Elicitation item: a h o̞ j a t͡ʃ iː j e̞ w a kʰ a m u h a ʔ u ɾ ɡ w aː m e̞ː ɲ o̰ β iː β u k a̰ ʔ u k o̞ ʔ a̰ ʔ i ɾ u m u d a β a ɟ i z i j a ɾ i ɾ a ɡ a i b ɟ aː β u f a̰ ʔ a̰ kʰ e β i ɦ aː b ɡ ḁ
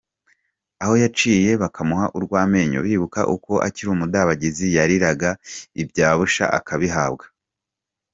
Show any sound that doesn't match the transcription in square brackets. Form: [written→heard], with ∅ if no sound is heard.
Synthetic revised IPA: a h o̞ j a t͡ʃ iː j e̞ [w→β] a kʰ a m u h a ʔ u ɾ ɡ w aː m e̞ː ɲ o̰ β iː β u k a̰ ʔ u k o̞ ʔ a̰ [ʔ→c] i ɾ u m u d a β a ɟ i z i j a ɾ i ɾ a ɡ a i b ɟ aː β u [f→ʃ] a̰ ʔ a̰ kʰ [e→a] β i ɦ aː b ɡ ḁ